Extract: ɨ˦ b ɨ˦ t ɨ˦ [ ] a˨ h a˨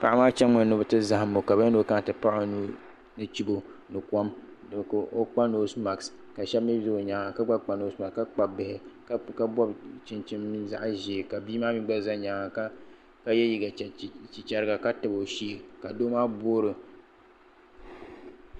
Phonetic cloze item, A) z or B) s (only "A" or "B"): A